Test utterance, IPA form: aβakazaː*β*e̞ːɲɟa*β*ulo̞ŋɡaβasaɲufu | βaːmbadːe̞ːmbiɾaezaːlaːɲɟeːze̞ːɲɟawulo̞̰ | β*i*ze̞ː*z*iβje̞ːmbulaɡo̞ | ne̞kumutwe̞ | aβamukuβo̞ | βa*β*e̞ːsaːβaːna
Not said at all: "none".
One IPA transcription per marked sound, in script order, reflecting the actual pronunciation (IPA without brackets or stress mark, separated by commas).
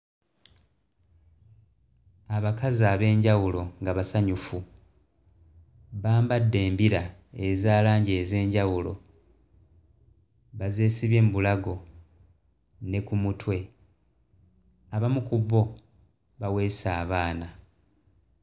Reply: β, w, a, s, w